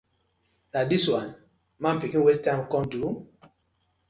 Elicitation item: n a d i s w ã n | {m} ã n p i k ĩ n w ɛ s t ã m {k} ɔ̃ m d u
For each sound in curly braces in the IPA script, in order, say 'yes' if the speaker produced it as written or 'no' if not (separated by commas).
yes, yes